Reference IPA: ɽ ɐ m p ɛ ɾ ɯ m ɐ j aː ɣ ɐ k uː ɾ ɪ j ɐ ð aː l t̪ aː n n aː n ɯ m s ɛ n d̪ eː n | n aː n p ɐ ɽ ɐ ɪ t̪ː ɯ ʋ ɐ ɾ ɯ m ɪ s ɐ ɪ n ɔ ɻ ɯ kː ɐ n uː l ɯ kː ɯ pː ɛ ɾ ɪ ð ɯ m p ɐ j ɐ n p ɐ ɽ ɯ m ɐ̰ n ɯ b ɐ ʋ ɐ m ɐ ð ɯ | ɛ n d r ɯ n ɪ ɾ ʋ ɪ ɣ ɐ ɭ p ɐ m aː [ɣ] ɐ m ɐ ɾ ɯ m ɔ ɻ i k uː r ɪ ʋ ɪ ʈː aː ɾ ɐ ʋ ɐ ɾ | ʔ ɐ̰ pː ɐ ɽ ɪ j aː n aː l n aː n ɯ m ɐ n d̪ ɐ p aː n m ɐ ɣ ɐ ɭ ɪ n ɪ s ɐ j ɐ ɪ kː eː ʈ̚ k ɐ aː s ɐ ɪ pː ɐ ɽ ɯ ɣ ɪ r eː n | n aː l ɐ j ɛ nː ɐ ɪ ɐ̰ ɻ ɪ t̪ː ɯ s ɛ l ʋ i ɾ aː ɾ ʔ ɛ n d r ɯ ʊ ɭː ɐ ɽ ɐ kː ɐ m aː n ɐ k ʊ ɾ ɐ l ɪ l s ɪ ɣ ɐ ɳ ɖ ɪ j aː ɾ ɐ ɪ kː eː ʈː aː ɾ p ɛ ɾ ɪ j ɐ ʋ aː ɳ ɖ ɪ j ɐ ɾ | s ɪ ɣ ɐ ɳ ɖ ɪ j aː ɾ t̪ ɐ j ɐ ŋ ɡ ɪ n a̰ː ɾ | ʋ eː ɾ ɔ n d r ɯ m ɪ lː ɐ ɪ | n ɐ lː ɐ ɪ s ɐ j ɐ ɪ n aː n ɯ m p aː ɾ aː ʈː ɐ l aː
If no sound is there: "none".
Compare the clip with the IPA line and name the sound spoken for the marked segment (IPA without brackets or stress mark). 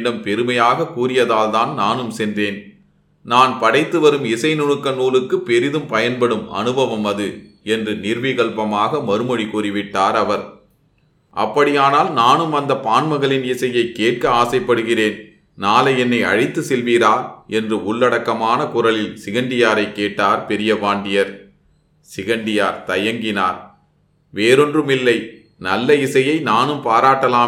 ɣ